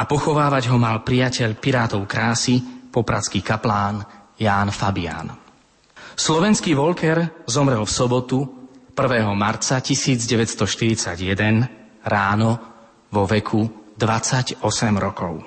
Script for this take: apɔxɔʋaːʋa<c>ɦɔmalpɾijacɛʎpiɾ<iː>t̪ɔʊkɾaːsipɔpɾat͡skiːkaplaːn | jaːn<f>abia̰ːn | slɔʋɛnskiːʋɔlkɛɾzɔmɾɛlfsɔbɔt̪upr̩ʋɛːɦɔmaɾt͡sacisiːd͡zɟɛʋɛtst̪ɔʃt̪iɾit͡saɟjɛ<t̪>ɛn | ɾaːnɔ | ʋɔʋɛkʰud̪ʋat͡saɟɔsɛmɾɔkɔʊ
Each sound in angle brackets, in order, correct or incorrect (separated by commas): incorrect, incorrect, correct, incorrect